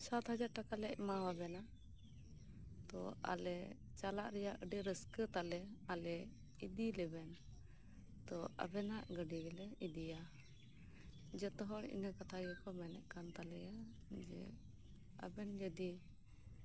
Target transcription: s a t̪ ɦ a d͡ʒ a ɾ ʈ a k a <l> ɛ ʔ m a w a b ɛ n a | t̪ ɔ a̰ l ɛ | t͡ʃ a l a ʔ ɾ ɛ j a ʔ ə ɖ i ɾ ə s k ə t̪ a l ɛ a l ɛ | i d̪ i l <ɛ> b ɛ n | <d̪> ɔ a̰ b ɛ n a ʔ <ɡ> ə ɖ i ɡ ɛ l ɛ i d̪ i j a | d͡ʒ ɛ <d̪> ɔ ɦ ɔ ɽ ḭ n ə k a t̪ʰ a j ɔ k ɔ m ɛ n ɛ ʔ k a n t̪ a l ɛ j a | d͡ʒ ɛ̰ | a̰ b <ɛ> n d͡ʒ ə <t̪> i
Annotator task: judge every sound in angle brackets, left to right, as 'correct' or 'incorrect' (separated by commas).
correct, correct, incorrect, correct, incorrect, correct, incorrect